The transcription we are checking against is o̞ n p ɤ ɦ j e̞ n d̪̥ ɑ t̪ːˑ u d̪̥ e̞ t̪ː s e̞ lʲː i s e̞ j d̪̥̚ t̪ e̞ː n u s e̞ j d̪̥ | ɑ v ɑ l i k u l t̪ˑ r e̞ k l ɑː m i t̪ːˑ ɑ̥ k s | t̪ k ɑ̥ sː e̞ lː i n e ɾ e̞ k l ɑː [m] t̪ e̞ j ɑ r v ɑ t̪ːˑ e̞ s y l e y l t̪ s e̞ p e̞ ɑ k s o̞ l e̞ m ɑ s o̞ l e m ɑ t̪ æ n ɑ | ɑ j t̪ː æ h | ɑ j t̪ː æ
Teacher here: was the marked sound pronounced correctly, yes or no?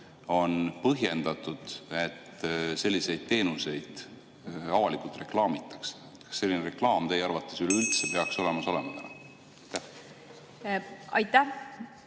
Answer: yes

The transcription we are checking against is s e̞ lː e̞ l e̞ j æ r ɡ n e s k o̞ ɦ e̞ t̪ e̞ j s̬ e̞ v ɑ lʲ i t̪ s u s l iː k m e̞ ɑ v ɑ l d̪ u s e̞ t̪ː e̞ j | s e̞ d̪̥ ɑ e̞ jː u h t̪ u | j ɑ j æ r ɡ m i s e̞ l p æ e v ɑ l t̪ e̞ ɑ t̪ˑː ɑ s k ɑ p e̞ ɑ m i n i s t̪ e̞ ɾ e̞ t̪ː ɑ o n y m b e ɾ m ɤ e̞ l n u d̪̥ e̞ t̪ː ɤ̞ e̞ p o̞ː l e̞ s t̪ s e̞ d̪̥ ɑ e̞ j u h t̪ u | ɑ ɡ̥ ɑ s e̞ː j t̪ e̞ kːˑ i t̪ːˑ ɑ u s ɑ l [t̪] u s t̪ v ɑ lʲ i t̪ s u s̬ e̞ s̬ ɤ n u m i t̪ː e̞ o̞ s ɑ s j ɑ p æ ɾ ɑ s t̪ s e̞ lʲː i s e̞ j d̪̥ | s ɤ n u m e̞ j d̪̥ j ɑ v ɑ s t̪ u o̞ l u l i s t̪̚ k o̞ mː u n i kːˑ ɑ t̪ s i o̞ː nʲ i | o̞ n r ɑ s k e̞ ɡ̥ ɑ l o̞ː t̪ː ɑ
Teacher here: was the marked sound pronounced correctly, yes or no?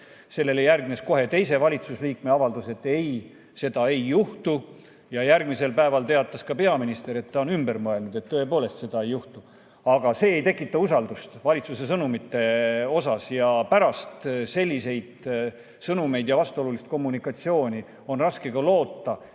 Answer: no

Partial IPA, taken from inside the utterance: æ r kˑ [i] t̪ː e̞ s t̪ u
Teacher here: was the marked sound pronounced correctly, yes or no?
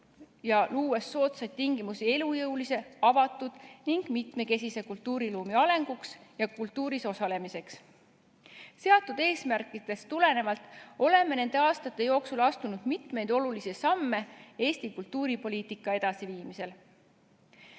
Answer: yes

